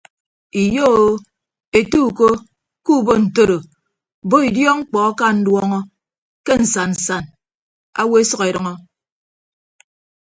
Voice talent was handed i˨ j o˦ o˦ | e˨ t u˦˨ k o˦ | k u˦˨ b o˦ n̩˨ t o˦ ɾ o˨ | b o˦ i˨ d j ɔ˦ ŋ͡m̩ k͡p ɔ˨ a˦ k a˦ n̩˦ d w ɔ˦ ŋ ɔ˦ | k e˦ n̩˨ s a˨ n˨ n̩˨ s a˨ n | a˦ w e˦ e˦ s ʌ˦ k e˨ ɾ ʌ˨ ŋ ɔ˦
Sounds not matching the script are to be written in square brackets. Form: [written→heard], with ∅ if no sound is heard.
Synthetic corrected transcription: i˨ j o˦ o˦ | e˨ t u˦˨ k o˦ | k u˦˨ b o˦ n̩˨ t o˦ ɾ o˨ | b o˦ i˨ d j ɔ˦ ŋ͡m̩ k͡p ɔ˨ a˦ k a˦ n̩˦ d w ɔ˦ ŋ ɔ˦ | k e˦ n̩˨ s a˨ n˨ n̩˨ s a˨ n | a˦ w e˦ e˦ s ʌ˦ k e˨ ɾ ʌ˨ ŋ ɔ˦